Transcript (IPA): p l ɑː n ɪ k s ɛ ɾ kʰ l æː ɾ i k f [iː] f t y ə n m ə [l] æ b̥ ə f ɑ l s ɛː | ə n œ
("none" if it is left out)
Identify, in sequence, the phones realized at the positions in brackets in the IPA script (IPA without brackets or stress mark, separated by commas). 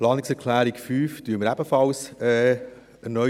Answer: yː, ɾ